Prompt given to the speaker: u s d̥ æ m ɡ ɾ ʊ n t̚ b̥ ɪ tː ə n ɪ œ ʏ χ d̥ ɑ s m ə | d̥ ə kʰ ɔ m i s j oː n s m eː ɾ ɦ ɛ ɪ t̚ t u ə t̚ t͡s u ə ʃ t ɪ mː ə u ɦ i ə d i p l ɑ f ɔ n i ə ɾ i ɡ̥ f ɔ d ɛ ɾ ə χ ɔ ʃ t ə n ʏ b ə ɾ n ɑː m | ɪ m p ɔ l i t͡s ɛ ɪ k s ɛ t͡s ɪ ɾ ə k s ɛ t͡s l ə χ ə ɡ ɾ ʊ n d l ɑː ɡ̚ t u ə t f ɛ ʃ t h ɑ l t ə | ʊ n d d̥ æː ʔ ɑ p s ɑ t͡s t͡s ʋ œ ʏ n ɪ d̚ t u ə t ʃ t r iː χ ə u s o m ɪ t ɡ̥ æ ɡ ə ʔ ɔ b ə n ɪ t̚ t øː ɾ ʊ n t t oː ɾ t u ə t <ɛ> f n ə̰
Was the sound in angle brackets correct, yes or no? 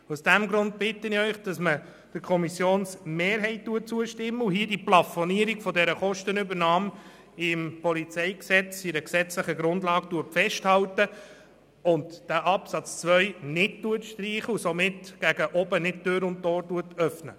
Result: no